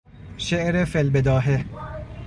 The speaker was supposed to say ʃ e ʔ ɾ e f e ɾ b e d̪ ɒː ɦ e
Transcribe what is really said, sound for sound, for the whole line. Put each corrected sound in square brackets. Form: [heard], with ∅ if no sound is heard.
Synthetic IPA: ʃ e ʔ ɾ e f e [l] b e d̪ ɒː ɦ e